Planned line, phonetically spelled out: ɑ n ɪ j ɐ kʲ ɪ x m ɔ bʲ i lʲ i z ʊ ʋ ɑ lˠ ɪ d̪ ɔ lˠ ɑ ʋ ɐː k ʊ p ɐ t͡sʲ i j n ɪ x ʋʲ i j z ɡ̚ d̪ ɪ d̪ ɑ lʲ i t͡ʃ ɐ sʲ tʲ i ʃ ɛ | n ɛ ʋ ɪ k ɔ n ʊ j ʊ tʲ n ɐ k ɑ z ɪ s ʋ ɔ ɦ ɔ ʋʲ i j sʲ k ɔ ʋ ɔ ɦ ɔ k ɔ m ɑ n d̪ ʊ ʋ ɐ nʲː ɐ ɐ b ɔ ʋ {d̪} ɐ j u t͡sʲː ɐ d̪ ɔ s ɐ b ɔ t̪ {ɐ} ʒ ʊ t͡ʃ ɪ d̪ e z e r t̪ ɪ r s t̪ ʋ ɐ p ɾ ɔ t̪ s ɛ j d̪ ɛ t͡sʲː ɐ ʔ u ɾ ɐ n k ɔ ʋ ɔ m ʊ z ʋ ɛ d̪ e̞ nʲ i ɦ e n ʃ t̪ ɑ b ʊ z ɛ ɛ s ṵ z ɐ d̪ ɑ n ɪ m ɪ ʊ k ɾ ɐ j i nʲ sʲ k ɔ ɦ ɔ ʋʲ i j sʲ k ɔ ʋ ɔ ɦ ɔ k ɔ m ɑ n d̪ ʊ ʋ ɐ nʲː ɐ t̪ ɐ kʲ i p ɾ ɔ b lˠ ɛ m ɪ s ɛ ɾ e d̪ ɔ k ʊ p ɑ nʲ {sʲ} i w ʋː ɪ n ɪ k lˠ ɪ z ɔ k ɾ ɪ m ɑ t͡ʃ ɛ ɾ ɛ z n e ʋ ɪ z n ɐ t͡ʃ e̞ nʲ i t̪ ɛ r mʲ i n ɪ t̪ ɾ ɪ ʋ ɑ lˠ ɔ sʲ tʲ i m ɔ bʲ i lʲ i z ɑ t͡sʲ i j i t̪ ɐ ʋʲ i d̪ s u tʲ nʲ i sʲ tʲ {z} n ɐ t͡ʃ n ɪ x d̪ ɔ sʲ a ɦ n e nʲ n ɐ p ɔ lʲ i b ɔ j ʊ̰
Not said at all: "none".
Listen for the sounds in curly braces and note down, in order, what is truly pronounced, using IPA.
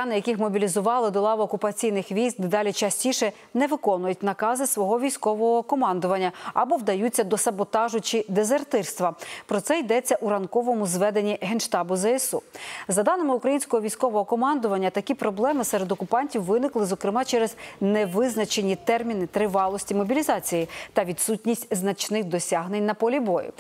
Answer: d̪, ɑ, tʲ, z

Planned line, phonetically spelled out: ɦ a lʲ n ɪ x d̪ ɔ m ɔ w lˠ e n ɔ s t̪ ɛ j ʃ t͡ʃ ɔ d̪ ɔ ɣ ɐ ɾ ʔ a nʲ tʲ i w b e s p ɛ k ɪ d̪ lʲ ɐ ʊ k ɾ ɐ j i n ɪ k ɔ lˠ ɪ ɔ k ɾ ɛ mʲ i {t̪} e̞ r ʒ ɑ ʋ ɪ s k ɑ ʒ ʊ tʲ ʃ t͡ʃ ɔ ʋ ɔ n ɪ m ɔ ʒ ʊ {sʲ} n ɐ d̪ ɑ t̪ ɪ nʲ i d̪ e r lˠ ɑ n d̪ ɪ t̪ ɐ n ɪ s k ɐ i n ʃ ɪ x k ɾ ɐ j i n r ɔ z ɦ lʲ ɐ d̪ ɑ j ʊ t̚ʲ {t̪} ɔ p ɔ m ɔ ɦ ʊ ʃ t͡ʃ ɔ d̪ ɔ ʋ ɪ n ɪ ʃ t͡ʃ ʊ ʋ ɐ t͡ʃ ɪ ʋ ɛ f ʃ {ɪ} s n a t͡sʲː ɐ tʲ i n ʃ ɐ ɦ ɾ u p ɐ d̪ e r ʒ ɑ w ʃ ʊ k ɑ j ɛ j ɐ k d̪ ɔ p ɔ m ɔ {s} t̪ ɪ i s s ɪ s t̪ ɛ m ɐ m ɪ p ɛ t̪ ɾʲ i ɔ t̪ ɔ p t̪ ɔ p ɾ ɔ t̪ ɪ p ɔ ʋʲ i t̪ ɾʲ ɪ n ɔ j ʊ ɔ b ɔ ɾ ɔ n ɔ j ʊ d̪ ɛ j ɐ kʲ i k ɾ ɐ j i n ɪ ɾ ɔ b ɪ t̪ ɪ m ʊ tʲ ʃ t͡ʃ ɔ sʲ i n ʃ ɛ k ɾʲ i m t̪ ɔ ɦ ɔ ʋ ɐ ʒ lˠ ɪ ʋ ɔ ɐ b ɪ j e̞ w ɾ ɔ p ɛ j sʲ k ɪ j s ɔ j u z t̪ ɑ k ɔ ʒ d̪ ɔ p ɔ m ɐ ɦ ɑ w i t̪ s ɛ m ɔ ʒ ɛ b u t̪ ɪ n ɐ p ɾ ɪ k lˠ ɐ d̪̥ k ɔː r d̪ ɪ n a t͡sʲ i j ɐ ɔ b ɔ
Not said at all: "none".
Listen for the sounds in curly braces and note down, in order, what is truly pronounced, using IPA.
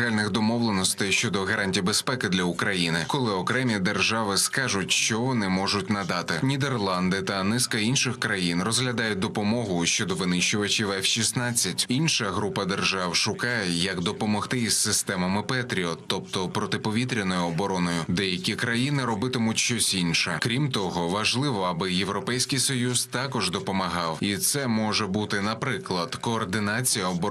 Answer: d̪, tʲ, d̪, i, x

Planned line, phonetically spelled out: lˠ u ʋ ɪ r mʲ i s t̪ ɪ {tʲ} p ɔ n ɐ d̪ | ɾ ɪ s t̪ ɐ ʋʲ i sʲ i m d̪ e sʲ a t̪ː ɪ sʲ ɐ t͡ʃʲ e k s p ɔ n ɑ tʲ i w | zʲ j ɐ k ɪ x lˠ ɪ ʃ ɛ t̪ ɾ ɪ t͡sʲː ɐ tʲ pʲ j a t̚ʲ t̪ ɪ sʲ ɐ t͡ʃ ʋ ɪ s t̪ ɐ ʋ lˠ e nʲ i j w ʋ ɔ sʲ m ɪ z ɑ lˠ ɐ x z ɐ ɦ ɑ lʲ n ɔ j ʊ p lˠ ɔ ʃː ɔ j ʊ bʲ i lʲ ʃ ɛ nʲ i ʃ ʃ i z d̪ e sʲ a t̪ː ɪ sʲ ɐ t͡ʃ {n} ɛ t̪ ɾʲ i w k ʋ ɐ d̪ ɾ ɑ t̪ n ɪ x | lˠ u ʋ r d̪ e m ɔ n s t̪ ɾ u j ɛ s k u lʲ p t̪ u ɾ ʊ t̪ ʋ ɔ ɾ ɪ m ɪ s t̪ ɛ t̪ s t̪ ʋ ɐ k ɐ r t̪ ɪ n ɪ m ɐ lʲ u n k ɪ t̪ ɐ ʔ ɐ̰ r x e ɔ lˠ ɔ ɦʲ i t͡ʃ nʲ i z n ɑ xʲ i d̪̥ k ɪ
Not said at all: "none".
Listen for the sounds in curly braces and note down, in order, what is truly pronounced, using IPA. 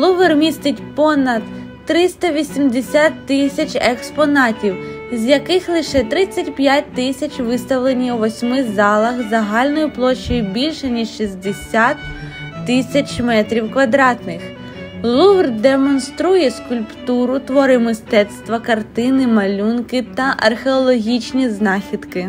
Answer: tʲ, m

